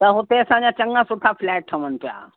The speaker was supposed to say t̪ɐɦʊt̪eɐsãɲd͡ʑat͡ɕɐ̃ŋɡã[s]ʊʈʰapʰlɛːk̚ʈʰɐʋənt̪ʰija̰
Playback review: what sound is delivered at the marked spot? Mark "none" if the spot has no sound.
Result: s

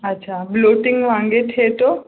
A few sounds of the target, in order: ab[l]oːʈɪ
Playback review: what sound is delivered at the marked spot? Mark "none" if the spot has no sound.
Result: l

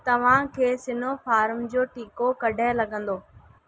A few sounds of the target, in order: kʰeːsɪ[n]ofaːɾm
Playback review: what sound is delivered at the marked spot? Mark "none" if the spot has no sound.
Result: n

